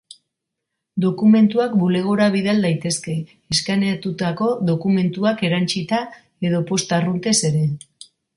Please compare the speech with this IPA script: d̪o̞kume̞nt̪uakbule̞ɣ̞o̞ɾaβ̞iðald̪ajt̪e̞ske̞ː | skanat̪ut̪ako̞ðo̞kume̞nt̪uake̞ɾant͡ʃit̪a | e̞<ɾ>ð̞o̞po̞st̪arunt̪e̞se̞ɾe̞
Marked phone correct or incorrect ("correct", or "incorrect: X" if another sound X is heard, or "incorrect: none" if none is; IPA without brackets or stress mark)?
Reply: incorrect: none